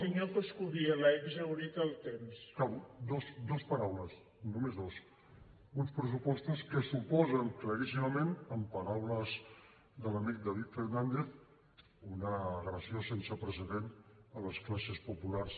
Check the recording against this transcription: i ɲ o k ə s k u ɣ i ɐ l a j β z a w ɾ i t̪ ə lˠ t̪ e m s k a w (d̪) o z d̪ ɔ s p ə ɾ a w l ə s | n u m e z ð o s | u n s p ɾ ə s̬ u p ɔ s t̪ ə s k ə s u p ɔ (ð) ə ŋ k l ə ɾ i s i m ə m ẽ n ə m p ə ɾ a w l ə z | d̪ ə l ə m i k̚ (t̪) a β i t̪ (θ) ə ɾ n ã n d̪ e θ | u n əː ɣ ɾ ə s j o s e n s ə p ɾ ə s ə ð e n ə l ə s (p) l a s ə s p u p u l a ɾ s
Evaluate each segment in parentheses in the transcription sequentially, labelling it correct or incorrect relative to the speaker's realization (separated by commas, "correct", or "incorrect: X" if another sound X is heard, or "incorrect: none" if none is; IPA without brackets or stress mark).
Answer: correct, incorrect: z, incorrect: d̪, incorrect: f, incorrect: k